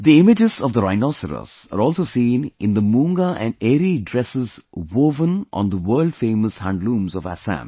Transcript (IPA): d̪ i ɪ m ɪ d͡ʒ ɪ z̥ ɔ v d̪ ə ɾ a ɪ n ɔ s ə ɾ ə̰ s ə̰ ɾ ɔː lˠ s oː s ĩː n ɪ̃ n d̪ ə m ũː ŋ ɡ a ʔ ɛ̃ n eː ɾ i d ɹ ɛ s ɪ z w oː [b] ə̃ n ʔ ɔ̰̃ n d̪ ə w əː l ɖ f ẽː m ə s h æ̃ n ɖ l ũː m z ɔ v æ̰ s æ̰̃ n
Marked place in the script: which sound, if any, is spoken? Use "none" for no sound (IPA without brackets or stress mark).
v